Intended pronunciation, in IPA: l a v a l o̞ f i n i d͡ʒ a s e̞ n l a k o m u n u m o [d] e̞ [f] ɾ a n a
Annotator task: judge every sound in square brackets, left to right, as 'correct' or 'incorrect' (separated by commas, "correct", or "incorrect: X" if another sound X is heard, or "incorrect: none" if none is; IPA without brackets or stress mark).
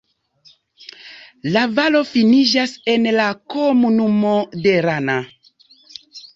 correct, incorrect: none